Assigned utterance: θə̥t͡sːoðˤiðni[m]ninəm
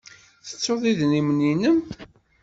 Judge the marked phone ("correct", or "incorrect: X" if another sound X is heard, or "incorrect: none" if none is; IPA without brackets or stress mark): correct